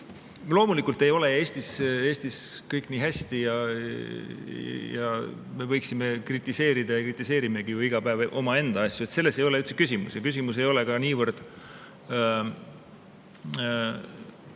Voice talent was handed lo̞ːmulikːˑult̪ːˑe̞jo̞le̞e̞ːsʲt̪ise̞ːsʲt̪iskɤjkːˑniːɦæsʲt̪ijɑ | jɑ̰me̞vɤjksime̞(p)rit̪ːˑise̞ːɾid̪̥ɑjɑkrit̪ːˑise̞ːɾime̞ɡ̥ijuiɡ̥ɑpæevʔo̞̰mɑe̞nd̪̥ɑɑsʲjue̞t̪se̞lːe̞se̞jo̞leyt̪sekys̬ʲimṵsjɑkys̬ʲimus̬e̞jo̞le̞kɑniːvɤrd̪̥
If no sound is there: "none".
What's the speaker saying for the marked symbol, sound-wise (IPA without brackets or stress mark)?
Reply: k